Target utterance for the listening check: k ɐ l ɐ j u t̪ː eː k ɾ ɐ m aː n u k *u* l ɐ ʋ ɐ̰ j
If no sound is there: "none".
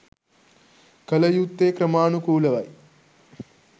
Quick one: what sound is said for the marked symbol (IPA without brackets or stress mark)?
uː